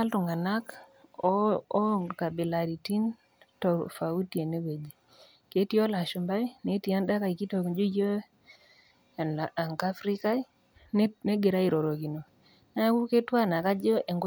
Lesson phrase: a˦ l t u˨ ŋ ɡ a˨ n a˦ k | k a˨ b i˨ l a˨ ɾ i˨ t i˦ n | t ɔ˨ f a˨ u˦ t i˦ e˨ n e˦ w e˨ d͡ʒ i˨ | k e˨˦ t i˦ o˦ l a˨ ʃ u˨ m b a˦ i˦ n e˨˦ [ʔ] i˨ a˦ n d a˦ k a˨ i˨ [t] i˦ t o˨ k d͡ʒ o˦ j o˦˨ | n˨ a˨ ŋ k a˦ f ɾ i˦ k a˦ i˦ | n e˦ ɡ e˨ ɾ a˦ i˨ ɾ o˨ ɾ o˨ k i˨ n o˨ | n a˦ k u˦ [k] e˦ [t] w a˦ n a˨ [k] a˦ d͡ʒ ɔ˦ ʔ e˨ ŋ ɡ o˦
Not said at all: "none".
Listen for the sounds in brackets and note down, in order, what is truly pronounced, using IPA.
t, k, k, t, k

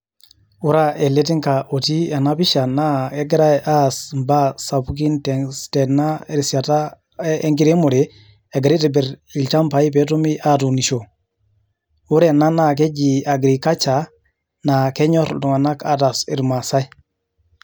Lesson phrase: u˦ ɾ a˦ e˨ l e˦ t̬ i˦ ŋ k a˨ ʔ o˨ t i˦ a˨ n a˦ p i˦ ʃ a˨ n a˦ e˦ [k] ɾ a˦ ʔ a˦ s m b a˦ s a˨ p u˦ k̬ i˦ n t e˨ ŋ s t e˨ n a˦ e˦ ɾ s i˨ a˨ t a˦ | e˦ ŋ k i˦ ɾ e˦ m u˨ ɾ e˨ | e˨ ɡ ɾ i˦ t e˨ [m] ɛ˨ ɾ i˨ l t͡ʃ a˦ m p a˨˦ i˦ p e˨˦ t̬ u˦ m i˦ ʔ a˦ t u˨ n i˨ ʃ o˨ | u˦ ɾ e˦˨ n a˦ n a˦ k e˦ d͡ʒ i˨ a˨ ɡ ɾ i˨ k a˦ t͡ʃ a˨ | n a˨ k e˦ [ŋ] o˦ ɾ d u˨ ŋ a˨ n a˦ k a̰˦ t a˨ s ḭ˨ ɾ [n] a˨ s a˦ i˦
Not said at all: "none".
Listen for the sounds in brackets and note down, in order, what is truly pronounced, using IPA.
ɡ, b, ɲ, m

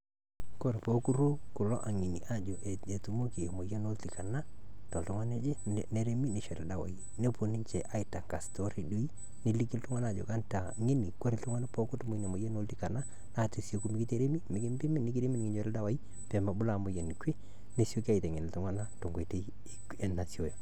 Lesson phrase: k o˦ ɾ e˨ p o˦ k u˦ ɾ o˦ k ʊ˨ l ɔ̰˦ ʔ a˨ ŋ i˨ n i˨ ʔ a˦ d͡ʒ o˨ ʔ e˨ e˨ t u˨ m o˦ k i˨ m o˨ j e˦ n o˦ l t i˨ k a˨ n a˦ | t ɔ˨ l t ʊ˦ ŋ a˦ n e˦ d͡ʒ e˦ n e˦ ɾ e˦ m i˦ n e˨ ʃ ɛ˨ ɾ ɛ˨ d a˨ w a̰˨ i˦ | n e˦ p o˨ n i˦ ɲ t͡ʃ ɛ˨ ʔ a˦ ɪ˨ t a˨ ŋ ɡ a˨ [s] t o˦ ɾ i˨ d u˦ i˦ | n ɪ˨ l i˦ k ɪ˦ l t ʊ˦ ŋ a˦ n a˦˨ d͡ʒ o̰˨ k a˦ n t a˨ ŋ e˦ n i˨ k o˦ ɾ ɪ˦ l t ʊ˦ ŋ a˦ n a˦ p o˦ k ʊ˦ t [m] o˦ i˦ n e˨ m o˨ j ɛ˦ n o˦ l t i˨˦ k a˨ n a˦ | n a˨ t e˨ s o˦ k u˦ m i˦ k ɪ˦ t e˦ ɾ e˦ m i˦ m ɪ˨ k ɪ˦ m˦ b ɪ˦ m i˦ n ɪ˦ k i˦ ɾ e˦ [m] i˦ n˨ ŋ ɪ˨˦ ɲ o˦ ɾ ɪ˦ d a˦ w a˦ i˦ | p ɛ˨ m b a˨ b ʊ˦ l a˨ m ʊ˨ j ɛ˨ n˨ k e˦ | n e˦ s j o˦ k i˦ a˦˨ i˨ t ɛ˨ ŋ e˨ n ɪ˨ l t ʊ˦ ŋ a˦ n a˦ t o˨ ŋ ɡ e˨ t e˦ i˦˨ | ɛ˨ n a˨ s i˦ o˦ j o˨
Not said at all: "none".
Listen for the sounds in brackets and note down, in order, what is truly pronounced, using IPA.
s, m, m

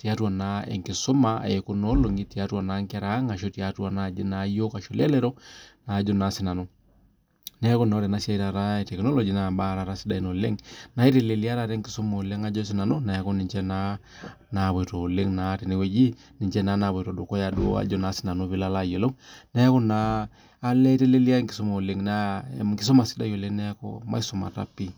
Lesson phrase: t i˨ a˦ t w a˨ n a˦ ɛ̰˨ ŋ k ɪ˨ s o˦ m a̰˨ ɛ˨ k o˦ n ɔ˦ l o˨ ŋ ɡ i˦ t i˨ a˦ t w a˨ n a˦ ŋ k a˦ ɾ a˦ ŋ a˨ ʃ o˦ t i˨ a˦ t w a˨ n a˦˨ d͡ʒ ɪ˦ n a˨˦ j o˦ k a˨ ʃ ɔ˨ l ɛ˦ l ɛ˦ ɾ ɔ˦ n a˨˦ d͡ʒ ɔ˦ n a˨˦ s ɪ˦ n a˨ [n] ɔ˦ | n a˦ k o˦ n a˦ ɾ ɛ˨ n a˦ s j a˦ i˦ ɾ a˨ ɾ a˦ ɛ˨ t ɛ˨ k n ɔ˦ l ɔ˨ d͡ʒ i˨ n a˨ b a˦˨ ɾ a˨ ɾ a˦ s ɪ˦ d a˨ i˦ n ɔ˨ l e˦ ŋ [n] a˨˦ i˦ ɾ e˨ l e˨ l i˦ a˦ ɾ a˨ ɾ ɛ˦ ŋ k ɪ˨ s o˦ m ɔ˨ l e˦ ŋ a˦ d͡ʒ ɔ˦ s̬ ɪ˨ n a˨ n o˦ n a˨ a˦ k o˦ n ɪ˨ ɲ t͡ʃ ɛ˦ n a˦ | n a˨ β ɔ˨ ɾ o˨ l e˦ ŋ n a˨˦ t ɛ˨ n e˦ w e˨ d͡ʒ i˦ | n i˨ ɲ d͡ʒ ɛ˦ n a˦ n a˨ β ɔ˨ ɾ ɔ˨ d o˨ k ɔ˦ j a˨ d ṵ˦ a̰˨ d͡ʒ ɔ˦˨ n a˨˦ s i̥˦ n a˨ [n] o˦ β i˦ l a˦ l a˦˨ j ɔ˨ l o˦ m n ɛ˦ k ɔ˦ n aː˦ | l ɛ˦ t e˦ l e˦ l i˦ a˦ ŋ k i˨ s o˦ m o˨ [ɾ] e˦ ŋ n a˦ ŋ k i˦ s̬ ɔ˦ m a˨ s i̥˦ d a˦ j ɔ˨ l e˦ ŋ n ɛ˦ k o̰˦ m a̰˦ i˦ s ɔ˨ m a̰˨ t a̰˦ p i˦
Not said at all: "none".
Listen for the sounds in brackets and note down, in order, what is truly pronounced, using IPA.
n, n, n, l

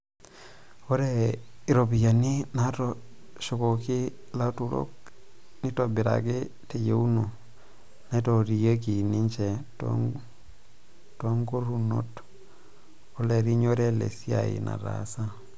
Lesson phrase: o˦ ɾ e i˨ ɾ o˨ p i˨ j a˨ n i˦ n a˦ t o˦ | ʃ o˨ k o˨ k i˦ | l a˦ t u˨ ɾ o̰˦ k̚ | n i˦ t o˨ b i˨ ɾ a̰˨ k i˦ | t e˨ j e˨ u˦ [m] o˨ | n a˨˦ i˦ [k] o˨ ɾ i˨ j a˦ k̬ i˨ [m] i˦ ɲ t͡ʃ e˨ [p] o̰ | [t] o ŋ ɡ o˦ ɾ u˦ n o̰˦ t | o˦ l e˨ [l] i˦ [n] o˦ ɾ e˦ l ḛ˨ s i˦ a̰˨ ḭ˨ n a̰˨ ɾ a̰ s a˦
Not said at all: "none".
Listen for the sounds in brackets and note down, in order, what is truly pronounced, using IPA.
n, t, n, t, t, ɾ, ɲ

